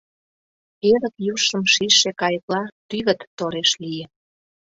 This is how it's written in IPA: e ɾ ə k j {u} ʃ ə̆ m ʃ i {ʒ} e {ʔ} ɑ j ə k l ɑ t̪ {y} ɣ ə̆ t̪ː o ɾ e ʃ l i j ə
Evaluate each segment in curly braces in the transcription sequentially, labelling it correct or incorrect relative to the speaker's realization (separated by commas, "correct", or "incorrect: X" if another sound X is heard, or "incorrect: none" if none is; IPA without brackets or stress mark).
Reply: correct, incorrect: ʃ, incorrect: k, correct